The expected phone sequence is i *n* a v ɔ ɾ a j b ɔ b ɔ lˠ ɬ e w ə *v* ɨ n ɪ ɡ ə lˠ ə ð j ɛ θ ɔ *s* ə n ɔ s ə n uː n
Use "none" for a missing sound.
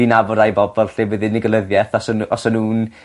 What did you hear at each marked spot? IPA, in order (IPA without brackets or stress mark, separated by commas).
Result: n, ð, s